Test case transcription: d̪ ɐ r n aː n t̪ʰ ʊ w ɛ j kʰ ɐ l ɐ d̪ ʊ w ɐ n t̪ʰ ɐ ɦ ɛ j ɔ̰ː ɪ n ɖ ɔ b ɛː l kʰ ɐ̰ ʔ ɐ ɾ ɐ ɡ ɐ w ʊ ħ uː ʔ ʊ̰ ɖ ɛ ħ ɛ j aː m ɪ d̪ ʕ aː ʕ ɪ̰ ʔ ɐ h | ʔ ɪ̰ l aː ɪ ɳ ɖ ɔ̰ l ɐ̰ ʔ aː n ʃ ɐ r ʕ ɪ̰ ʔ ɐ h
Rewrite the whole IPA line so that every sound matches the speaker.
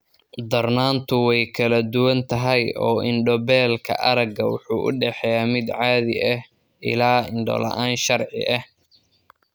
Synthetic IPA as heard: d̪ ɐ r n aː n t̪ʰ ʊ w ɛ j kʰ ɐ l ɐ d̪ ʊ w ɐ n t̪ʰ ɐ ɦ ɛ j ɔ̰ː ɪ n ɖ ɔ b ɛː l kʰ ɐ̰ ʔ ɐ ɾ ɐ ɡ ɐ w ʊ ħ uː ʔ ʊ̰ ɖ ɛ ħ ɛ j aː m ɪ d̪ ʕ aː ð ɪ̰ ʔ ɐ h | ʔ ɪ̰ l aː ɪ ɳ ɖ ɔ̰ l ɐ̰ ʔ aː n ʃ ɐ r ʕ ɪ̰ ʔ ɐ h